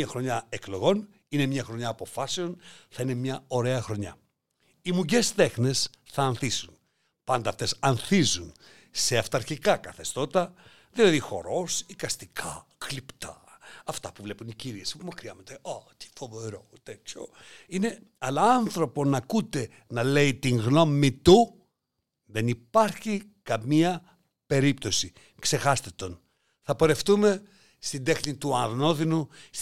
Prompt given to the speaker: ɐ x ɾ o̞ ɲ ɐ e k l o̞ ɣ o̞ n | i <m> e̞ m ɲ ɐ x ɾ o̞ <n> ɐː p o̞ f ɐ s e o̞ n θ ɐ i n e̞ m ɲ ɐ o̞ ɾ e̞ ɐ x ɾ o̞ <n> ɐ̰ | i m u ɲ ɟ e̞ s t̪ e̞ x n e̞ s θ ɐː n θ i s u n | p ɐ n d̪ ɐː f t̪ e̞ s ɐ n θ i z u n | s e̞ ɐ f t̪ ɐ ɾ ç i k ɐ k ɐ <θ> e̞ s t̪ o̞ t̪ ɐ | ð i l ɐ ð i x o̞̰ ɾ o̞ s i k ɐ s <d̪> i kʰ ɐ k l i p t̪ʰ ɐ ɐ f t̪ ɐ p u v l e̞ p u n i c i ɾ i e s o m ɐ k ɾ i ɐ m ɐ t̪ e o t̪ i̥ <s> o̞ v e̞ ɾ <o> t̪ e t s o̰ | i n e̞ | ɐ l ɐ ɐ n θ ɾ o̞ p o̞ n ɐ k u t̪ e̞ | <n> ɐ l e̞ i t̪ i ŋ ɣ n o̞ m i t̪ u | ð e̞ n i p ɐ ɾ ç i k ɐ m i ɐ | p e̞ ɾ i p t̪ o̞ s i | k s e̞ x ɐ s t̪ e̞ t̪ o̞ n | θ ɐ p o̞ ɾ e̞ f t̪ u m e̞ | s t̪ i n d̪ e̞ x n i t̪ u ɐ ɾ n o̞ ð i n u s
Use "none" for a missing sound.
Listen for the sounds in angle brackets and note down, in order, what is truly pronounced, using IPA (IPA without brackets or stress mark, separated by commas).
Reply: n, ɲ, ɲ, θ, t̪, f, o, n